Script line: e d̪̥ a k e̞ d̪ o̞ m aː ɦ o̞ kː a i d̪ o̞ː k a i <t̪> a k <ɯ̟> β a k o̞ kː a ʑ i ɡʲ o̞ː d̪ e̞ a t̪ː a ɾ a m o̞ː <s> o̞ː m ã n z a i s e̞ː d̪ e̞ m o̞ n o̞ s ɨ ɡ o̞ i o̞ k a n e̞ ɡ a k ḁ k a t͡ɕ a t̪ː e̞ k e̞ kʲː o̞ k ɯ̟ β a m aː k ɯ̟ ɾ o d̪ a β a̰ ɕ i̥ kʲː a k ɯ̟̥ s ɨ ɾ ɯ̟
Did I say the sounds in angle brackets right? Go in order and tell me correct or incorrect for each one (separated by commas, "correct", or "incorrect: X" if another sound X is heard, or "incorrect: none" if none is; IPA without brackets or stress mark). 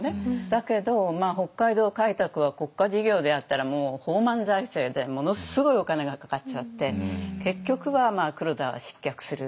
correct, correct, incorrect: h